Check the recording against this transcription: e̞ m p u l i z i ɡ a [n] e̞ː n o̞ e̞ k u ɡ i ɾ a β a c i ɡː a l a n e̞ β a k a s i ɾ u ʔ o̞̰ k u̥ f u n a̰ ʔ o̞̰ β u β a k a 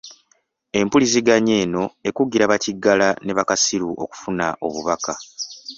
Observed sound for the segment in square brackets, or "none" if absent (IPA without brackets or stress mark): ɲ